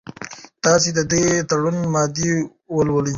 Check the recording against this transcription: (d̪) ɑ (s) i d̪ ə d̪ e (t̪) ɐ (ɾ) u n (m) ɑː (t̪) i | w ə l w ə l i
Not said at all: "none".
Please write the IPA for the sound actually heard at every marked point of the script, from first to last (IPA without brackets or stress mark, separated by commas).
t̪, s, t̪, ɽ, m, d̪